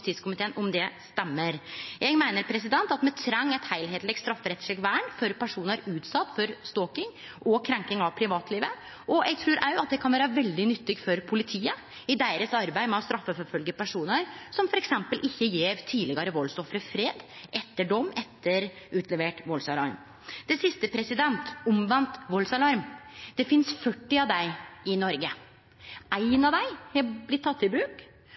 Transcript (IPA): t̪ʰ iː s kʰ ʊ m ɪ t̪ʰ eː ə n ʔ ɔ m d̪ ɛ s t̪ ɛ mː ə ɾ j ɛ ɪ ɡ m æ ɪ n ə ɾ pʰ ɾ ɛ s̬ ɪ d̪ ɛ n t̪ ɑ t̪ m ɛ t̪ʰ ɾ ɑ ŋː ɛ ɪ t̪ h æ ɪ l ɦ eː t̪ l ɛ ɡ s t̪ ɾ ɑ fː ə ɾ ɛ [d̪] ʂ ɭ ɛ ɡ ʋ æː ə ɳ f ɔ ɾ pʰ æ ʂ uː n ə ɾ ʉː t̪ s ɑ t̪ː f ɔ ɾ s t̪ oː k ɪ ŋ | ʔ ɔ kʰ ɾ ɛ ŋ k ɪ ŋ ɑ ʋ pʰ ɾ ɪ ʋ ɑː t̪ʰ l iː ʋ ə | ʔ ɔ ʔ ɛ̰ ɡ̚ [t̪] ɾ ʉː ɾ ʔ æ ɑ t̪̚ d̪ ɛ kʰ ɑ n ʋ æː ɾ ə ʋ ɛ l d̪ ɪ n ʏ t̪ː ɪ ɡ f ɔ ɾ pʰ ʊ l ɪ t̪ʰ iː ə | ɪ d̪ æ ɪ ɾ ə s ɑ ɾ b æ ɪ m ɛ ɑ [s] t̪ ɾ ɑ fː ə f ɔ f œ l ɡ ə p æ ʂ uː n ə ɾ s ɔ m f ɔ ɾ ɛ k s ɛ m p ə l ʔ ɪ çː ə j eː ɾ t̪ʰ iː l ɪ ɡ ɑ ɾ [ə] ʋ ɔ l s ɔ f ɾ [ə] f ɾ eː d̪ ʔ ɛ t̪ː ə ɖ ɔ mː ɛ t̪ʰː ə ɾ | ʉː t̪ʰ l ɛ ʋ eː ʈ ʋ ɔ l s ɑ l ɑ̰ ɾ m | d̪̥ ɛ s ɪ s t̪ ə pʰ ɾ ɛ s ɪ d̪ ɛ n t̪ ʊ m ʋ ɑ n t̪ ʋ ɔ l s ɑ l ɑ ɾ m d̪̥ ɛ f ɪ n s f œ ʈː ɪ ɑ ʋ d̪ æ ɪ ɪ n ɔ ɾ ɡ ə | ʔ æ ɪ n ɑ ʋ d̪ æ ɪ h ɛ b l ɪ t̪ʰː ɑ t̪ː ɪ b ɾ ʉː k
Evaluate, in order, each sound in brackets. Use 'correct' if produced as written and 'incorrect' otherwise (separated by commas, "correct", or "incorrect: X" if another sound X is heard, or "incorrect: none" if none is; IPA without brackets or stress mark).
incorrect: t̪, incorrect: t̪ʰ, correct, correct, correct